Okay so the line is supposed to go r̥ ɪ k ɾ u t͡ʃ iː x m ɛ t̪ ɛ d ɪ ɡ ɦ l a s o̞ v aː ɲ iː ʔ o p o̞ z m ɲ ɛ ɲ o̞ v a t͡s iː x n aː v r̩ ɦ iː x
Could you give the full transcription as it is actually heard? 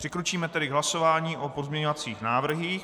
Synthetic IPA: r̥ ɪ k ɾ u t͡ʃ iː m ɛ t̪ ɛ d ɪ ɡ ɦ l a s o̞ v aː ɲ iː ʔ o p o̞ z m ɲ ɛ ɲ o̞ v a t͡s iː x n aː v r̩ ɦ iː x